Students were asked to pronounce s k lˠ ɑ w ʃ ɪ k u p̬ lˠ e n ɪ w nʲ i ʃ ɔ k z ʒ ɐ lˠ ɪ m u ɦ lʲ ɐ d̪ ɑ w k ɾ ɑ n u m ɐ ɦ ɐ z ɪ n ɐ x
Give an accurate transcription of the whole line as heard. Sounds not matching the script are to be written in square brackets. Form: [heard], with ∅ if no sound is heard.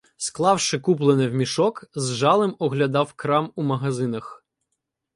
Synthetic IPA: s k lˠ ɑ w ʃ ɪ k u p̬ lˠ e n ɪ w [mʲ] i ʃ ɔ k z ʒ [ɑ] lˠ ɪ m [ɔ] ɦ lʲ ɐ d̪ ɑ w k ɾ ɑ [m] u m ɐ ɦ ɐ z ɪ n ɐ x